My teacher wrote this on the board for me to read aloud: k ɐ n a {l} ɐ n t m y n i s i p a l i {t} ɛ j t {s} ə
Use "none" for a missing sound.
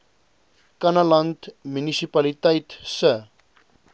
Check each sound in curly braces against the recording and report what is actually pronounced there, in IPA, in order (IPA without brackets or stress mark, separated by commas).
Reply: l, t, s